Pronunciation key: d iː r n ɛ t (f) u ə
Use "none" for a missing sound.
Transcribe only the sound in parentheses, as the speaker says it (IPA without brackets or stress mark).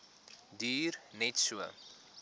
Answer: s